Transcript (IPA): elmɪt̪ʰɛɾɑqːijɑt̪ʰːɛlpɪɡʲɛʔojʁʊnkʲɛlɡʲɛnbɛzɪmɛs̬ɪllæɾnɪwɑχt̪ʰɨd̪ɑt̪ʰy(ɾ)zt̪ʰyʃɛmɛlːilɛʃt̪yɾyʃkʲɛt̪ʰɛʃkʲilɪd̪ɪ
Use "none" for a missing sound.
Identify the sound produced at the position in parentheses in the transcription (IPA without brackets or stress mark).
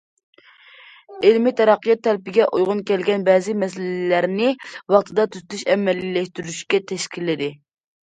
none